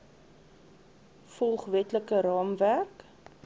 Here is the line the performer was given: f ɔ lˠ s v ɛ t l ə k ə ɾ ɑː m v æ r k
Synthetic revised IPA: f ɔ lˠ χ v ɛ t l ə k ə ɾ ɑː m v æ r k